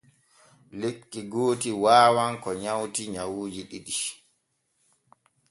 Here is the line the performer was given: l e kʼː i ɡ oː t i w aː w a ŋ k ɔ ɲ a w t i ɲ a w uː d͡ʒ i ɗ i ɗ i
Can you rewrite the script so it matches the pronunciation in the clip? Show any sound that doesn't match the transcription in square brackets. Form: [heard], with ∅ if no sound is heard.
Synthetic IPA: l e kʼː i ɡ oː t i w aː w a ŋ k ɔ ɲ a w t i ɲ a w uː d͡ʒ i ɗ i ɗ i